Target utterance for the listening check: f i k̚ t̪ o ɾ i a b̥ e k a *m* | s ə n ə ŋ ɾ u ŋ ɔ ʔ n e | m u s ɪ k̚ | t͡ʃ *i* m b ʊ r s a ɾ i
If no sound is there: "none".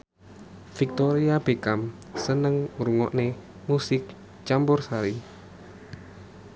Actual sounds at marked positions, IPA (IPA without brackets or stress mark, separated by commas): m, a